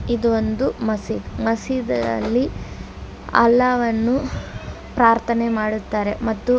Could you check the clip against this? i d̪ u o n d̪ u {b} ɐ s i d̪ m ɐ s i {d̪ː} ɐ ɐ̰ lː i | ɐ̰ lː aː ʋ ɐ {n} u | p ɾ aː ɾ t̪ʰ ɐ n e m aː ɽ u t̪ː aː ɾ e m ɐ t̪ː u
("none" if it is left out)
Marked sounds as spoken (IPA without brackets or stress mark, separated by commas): m, d̪, nː